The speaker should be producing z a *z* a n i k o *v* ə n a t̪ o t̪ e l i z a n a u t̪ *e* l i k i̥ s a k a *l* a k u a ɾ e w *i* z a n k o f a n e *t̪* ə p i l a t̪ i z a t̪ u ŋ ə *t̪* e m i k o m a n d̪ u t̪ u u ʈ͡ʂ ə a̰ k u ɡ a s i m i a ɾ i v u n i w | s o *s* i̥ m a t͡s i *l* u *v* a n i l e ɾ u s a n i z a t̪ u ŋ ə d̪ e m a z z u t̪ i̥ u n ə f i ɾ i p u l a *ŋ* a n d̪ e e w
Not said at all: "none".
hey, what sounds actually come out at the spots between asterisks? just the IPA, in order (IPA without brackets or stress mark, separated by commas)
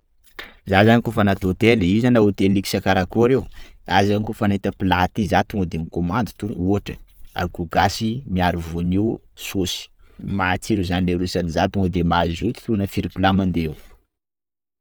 z, f, e, ɾ, a, t̪, d̪, s, ɾ, z, m